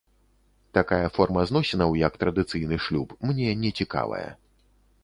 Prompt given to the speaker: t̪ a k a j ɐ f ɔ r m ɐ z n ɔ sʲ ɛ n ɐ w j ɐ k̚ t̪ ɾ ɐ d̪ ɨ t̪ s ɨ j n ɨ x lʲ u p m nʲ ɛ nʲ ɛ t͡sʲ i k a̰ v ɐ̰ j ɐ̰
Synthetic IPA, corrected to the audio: t̪ a k a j ɐ f ɔ r m ɐ z n ɔ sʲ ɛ n ɐ w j ɐ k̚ t̪ ɾ ɐ d̪ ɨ t̪ s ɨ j n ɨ ʂ lʲ u p m nʲ ɛ nʲ ɛ t͡sʲ i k a̰ v ɐ̰ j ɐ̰